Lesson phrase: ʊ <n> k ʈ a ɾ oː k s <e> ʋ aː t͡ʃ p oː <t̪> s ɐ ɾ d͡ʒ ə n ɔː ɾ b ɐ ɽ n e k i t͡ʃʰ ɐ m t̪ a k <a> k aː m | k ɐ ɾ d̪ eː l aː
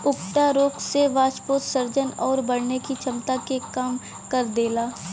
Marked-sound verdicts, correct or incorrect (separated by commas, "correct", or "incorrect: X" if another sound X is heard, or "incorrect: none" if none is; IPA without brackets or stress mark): incorrect: none, correct, correct, incorrect: e